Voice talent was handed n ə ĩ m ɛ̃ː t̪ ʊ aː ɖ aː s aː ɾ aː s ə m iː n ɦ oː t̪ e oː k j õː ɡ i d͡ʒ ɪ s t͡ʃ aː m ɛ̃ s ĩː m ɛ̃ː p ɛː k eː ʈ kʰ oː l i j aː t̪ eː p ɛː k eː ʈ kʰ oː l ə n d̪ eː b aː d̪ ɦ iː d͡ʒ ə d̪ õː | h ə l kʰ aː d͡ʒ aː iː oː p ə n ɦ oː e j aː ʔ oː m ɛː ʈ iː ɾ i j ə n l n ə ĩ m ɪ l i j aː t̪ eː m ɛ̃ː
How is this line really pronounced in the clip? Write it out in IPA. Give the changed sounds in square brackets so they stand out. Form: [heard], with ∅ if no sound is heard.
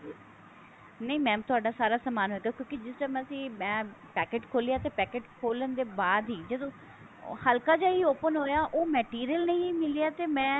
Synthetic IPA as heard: n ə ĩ m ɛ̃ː t̪ ʊ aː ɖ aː s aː ɾ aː s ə m [aː] n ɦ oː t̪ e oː k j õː [k] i d͡ʒ ɪ s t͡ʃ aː m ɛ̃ s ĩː m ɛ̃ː p ɛː k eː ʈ kʰ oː l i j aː t̪ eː p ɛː k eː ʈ kʰ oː l ə n d̪ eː b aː d̪ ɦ iː d͡ʒ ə d̪ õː | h ə l [k] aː d͡ʒ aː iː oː p ə n ɦ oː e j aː ʔ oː m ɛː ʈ iː ɾ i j ə [∅] l n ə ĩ m ɪ l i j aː t̪ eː m ɛ̃ː